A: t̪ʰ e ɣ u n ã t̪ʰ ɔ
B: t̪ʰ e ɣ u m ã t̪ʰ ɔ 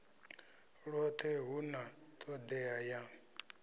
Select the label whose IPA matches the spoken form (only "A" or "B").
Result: A